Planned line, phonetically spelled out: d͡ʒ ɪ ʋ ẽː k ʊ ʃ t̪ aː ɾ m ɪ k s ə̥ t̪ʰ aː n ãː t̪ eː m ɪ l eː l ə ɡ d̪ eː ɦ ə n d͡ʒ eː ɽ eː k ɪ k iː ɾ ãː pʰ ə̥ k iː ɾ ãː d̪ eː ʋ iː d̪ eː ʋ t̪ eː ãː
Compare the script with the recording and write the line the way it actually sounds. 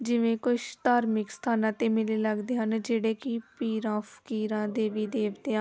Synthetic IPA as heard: d͡ʒ ɪ ʋ ẽː k ʊ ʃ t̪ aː ɾ m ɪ k s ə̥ t̪ʰ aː n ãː t̪ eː m ɪ l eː l ə ɡ d̪ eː ɦ ə n d͡ʒ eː ɽ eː k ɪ p iː ɾ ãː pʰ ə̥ k iː ɾ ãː d̪ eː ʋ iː d̪ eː ʋ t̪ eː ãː